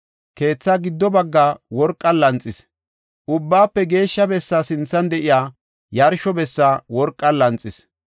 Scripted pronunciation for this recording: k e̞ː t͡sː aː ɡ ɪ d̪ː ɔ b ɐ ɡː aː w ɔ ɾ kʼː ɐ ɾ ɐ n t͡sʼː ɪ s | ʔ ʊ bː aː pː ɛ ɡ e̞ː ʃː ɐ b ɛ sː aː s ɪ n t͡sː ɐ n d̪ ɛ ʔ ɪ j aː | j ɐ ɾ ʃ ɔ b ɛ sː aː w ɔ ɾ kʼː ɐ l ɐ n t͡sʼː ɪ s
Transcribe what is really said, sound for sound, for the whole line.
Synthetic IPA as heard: k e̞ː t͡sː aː ɡ ɪ d̪ː ɔ b ɐ ɡː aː w ɔ ɾ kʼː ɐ l ɐ n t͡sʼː ɪ s | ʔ ʊ bː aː pː ɛ ɡ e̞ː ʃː ɐ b ɛ sː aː s ɪ n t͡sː ɐ n d̪ ɛ ʔ ɪ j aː | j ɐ ɾ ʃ ɔ b ɛ sː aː w ɔ ɾ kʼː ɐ l ɐ n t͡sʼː ɪ s